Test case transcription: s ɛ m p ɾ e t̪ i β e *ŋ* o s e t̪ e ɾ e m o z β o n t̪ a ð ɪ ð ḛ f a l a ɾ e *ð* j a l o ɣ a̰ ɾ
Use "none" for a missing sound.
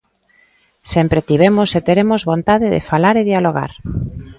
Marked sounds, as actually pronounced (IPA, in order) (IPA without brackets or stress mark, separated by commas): m, ð